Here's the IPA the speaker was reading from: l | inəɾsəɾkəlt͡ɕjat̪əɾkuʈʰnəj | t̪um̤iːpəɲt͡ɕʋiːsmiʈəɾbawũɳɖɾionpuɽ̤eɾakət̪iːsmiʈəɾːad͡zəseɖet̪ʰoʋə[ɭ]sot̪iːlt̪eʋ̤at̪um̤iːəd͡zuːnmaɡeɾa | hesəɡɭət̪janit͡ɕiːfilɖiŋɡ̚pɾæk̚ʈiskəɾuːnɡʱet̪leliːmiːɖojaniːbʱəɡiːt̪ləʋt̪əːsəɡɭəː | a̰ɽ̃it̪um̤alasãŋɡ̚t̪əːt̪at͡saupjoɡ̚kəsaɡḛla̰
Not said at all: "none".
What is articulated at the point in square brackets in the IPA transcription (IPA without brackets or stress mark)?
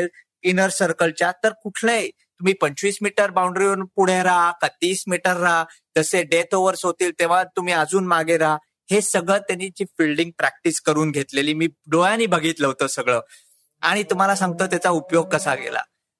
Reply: ɾ